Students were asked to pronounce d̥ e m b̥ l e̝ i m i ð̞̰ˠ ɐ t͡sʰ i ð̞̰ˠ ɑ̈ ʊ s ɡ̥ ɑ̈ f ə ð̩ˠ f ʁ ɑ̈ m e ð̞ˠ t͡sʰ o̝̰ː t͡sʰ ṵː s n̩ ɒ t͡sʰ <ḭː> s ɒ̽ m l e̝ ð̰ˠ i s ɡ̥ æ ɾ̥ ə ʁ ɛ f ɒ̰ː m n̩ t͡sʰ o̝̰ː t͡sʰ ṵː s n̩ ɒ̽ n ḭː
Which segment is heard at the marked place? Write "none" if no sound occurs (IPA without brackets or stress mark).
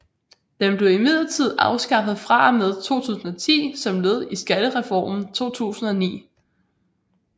ḭː